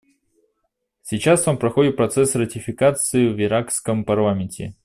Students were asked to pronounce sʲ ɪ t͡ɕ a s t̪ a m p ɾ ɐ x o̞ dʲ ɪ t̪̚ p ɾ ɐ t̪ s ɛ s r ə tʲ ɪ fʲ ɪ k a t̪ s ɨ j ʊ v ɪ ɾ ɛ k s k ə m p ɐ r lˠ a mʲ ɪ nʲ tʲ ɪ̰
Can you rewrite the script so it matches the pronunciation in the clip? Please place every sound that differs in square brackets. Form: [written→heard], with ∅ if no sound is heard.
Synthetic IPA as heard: sʲ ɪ t͡ɕ a s t̪ a m p ɾ ɐ x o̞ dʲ ɪ t̪̚ p ɾ ɐ t̪ s ɛ s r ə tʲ ɪ fʲ ɪ k a t̪ s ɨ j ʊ v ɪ ɾ [ɛ→a] k s k ə m p ɐ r lˠ a mʲ ɪ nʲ tʲ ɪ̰